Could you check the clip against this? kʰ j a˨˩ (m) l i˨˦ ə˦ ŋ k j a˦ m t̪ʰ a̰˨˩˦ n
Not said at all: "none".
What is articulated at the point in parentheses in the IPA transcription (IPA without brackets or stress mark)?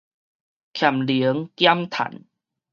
m